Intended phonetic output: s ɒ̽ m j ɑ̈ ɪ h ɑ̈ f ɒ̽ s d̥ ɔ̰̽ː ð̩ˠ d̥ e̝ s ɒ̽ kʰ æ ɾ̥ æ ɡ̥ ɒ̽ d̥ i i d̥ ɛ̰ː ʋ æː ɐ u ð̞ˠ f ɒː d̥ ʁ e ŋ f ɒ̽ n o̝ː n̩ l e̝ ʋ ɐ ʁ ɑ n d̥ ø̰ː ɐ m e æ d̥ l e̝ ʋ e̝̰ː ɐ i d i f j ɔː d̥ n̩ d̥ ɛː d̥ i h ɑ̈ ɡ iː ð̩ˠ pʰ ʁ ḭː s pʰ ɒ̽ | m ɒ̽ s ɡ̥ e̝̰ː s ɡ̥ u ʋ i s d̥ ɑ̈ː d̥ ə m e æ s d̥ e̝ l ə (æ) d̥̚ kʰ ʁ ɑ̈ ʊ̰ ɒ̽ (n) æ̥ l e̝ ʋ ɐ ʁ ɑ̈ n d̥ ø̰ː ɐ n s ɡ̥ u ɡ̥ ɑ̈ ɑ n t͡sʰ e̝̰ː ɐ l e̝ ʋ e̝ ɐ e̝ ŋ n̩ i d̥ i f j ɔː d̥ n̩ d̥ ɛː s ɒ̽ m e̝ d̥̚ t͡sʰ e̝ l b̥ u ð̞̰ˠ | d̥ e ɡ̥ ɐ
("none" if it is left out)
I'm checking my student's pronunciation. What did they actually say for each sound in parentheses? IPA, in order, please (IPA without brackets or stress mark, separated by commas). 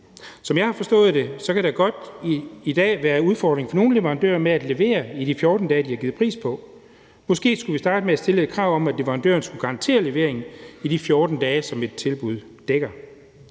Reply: e, m